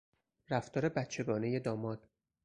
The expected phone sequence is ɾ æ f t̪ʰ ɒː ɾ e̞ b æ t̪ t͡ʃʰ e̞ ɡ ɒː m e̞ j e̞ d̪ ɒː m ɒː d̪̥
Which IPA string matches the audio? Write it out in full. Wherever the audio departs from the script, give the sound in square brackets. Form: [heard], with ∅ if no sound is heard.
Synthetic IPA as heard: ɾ æ f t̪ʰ ɒː ɾ e̞ b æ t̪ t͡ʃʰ e̞ ɡ ɒː [n] e̞ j e̞ d̪ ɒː m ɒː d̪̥